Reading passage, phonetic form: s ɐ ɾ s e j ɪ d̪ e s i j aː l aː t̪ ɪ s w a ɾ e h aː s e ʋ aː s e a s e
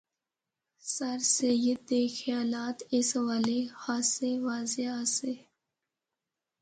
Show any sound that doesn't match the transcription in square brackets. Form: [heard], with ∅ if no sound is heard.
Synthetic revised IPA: s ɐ ɾ s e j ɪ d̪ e [x] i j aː l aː t̪ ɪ s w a [l] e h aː s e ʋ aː [z] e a s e